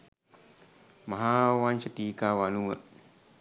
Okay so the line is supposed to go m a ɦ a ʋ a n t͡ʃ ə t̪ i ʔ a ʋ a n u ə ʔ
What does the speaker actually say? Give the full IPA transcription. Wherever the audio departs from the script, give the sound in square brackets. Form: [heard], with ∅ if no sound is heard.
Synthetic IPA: m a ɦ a [w] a n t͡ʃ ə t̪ i [k] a [w] a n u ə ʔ